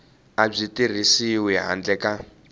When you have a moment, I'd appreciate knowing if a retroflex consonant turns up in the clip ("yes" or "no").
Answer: yes